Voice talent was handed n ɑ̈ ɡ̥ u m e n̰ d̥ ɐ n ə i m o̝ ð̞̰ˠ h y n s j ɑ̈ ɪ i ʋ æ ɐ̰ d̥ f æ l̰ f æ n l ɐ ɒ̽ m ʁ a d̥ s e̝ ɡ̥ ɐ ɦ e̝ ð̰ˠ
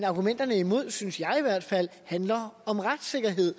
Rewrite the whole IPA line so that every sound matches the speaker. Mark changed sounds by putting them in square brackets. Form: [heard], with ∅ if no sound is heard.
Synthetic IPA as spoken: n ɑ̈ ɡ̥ u m e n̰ d̥ ɐ n ə i m o̝ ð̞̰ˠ [s] y n s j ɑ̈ ɪ i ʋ æ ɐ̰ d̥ f æ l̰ [h] æ n l ɐ ɒ̽ m ʁ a d̥ s e̝ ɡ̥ ɐ ɦ e̝ ð̰ˠ